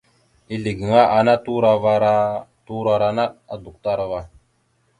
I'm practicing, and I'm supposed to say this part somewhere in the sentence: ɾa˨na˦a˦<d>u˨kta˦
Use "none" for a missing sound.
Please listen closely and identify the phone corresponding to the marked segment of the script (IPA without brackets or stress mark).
d